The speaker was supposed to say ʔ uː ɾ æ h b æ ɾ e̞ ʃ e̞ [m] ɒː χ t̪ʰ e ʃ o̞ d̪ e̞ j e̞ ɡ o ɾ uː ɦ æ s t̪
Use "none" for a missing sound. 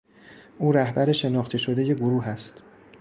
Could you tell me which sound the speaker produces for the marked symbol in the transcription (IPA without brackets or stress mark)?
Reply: n